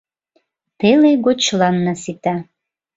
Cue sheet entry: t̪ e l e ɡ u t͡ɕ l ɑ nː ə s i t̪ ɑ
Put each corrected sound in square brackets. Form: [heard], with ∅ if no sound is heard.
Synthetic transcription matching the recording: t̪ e l e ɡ [o] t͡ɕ l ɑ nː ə s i t̪ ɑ